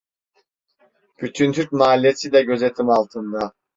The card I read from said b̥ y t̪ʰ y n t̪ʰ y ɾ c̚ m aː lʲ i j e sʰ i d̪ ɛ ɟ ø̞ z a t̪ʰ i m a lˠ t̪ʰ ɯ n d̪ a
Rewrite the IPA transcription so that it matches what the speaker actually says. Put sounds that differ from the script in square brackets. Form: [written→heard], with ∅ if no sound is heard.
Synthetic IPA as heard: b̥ y t̪ʰ y n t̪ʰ y ɾ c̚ m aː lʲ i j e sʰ i d̪ ɛ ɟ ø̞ z [a→e] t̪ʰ i m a lˠ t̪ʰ ɯ n d̪ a